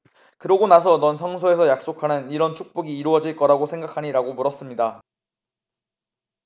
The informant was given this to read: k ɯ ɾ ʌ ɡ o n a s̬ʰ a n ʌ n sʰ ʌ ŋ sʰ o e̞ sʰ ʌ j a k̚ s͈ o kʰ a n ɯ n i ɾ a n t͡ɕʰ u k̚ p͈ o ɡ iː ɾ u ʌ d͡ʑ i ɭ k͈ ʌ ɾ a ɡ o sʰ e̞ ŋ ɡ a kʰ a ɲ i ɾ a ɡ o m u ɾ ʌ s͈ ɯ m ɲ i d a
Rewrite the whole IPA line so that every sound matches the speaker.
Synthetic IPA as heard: k ɯ ɾ ʌ ɡ o n a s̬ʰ ʌ n ʌ n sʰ ʌ ŋ sʰ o e̞ sʰ ʌ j a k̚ s͈ o kʰ a n ɯ n i ɾ ʌ n t͡ɕʰ u k̚ p͈ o ɡ iː ɾ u ʌ d͡ʑ i ɭ k͈ ʌ ɾ a ɡ o sʰ e̞ ŋ ɡ a kʰ a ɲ i ɾ a ɡ o m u ɾ ʌ s͈ ɯ m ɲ i d a